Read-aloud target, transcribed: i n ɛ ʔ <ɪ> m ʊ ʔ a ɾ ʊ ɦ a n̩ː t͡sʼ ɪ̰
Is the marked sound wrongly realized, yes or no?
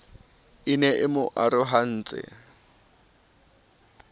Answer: no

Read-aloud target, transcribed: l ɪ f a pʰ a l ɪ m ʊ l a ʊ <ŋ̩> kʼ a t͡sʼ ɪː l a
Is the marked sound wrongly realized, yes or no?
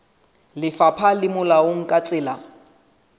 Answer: no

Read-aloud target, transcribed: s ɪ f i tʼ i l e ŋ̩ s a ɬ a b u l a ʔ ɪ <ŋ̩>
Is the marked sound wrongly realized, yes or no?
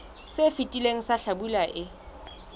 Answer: yes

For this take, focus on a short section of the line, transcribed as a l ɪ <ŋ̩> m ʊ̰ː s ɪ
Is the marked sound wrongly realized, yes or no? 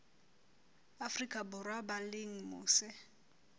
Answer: no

